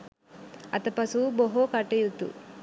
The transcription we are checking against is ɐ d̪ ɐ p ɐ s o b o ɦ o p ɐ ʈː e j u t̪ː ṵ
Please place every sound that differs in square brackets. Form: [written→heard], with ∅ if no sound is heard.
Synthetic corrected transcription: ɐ [d̪→t̪] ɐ p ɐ s [o→u] b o ɦ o [p→k] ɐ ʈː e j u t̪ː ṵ